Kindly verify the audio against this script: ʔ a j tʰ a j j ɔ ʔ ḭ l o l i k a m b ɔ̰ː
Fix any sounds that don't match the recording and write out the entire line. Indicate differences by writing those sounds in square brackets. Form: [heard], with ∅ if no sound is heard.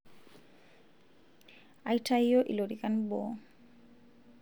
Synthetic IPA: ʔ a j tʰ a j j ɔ ʔ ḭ l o [ɾ] i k a [n] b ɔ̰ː